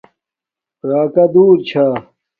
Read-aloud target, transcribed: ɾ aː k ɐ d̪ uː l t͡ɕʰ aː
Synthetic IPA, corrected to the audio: ɾ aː k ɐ d̪ uː ɾ t͡ɕʰ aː

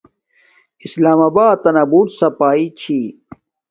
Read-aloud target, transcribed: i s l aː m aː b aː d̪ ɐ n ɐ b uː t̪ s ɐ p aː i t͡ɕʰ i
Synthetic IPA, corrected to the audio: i s l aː m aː b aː t̪ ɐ n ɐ b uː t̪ s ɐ p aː i t͡ɕʰ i

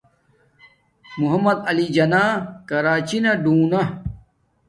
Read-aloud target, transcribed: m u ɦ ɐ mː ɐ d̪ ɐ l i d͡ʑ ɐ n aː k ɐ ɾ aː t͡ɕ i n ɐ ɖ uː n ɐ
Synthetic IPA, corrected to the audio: m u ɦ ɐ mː ɐ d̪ ɐ l i d͡ʑ ɐ n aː k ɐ ɾ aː t͡ɕ i n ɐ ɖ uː n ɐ

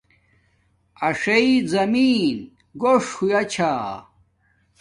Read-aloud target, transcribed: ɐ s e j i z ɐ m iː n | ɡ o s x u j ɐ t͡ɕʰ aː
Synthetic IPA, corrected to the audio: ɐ ʂ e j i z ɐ m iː n | ɡ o ʂ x u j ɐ t͡ɕʰ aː

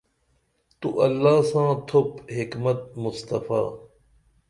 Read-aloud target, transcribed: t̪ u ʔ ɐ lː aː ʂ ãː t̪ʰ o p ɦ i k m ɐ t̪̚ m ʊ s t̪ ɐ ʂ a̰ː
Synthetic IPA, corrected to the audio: t̪ u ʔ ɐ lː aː s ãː t̪ʰ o p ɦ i k m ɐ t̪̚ m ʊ s t̪ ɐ f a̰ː

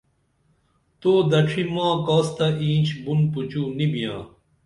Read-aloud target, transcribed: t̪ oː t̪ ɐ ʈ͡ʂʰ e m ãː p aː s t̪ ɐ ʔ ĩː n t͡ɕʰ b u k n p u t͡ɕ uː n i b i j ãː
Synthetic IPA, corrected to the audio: t̪ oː d̪ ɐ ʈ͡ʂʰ i m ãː k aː s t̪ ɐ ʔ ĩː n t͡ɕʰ b u n p u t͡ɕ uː n i b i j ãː

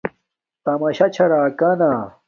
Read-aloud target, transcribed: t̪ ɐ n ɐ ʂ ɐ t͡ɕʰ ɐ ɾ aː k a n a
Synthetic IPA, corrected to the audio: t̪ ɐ m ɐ ɕ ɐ t͡ɕʰ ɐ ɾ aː k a n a

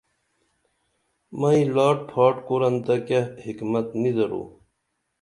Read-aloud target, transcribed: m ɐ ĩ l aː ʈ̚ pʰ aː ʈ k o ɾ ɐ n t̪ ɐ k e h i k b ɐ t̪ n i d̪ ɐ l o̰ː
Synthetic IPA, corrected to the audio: m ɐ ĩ l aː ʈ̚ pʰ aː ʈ k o ɾ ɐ n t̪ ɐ k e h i k m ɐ t̪ n i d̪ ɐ ɾ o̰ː

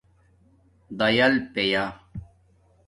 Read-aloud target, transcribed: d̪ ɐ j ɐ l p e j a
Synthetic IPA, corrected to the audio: d̪ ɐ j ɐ l p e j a

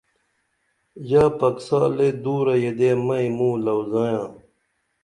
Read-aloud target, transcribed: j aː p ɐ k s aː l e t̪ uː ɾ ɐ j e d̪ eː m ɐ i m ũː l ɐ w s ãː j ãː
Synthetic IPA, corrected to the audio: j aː p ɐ k s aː l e d̪ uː ɾ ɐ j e d̪ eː m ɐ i m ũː l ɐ w z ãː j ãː

